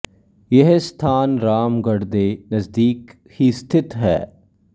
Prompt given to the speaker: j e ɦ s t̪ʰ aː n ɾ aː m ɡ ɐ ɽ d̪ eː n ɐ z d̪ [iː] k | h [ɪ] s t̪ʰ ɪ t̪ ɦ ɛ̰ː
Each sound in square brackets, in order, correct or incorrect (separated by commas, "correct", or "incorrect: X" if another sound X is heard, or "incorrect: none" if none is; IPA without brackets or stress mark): correct, incorrect: i